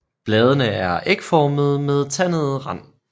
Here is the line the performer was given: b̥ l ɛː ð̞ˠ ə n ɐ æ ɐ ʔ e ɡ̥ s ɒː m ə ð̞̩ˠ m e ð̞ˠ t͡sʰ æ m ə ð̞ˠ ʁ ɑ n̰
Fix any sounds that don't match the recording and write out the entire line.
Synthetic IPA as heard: b̥ l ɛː ð̞ˠ ə n ə æ ɐ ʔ e ɡ̥ f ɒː m ə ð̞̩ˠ m e ð̞ˠ t͡sʰ æ n ə ð̞ˠ ʁ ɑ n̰